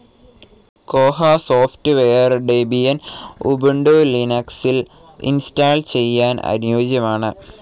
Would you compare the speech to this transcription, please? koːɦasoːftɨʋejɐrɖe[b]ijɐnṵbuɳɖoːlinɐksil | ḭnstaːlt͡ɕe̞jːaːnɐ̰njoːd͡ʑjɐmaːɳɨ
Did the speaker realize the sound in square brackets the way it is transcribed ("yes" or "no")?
yes